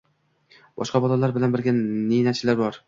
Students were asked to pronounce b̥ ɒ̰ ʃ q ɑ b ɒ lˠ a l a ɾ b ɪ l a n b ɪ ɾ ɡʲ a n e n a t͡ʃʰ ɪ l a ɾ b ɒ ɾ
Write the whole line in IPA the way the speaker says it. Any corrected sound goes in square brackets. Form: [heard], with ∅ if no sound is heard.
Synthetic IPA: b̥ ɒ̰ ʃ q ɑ b ɒ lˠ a l a ɾ b ɪ l a n b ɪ ɾ ɡʲ a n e n a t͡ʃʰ ɪ l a ɾ b ɒ ɾ